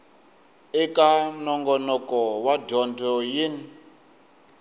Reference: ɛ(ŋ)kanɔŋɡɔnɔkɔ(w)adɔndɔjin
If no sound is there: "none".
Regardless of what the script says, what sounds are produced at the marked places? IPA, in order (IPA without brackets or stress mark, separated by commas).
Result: none, w